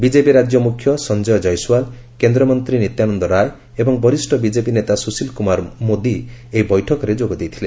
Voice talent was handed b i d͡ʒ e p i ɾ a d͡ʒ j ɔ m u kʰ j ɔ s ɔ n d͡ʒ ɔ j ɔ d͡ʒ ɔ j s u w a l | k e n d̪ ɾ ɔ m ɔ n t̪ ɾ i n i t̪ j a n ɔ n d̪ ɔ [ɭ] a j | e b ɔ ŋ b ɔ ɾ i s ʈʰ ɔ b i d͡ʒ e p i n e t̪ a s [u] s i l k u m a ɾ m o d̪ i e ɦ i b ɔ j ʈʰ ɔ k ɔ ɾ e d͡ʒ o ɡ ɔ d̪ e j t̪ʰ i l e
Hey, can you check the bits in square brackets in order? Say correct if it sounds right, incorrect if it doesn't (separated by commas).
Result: incorrect, correct